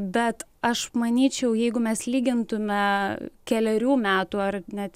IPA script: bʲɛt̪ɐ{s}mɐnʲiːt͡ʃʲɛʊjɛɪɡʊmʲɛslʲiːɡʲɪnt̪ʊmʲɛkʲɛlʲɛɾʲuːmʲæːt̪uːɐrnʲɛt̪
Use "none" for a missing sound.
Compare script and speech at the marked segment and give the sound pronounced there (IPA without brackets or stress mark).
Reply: ʃ